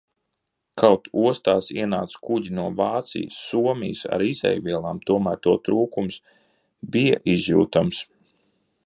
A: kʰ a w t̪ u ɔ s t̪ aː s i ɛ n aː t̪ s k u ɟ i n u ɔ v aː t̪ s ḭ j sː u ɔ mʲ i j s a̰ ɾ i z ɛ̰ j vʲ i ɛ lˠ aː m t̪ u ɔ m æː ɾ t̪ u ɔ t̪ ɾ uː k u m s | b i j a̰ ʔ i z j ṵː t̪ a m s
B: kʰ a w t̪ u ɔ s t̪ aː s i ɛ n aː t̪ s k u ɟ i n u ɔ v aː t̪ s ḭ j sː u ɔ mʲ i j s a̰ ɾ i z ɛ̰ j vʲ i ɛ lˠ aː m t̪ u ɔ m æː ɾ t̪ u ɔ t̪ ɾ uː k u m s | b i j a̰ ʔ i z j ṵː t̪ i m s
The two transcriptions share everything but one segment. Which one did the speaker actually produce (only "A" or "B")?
A